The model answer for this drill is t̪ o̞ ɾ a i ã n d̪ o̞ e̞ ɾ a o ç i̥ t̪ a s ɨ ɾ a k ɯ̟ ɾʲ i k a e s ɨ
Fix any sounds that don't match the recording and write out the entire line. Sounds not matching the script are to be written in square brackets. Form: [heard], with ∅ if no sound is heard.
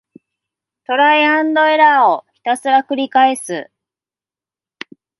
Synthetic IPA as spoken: t̪ o̞ ɾ a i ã n d̪ o̞ e̞ ɾ a o ç i̥ t̪ a s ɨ ɾ a k ɯ̟ ɾʲ i k a e s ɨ